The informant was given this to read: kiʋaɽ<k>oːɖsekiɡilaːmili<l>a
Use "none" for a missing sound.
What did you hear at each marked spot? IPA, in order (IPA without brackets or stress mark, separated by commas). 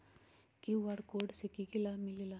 k, l